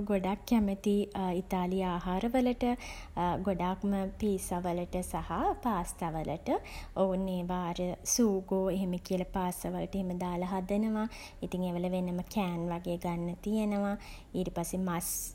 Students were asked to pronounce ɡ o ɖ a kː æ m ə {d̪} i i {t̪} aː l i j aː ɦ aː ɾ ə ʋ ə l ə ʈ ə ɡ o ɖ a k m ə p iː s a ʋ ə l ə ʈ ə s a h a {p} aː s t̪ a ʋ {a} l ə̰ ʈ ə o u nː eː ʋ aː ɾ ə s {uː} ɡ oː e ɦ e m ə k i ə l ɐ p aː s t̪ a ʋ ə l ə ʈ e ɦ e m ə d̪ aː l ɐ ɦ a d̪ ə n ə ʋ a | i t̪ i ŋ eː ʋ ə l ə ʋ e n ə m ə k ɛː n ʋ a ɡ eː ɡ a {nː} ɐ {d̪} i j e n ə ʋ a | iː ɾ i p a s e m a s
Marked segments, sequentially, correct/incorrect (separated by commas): incorrect, correct, correct, incorrect, correct, correct, incorrect